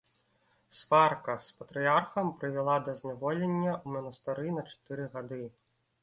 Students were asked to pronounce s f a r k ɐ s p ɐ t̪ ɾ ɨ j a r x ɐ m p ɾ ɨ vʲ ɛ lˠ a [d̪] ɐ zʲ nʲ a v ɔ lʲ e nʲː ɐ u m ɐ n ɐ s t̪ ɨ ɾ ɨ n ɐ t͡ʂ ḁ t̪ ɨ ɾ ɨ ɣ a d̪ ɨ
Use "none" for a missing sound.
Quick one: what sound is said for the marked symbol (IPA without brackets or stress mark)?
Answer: d̪